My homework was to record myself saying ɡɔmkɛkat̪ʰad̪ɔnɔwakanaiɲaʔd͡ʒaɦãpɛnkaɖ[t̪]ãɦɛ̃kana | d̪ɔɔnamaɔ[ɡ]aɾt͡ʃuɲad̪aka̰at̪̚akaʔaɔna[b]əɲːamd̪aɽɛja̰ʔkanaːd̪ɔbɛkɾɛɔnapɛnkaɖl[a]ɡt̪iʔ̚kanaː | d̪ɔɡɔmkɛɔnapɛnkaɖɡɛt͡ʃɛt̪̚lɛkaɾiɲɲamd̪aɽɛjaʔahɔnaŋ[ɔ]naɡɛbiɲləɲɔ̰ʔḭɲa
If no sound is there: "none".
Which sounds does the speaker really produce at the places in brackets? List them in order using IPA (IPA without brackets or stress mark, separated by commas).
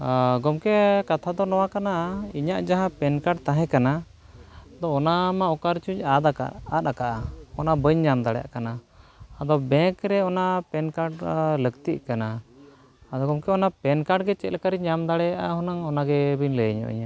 t̪, k, b, ə, ɔ